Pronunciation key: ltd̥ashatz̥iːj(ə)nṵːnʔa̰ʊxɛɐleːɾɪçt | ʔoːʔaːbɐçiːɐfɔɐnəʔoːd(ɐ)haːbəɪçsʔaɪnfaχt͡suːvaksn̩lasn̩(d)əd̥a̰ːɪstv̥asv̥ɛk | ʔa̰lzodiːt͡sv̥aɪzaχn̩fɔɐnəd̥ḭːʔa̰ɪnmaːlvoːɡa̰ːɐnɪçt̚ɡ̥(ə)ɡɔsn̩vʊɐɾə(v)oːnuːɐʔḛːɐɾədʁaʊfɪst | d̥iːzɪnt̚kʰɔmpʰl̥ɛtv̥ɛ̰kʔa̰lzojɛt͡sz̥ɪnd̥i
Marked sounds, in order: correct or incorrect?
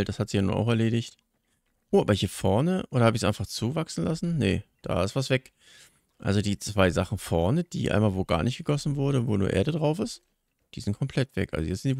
incorrect: a, correct, incorrect: n, correct, correct

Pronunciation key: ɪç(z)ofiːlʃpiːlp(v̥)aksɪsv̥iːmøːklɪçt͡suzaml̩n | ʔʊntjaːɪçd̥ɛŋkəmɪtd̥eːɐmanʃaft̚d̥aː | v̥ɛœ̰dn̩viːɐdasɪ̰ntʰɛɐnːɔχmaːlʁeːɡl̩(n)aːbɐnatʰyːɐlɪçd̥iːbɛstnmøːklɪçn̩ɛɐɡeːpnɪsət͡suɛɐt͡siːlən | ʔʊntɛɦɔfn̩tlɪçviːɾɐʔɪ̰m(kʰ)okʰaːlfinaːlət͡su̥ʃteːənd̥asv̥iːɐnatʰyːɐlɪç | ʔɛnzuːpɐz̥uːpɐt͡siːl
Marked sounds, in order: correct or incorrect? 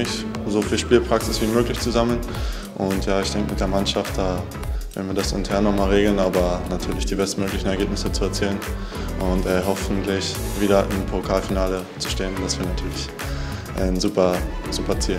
correct, incorrect: ʁ̥, correct, incorrect: pʰ

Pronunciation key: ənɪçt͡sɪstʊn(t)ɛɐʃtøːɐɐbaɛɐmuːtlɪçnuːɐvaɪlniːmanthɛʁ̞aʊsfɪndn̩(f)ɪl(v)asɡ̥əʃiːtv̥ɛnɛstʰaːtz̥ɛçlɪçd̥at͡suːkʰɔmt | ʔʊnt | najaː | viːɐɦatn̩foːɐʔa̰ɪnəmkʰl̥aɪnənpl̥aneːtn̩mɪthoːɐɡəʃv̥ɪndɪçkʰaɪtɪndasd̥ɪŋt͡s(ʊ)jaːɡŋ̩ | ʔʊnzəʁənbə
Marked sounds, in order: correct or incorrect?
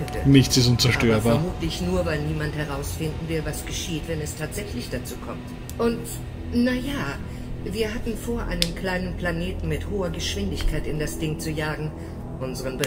incorrect: t͡s, incorrect: v, correct, incorrect: u

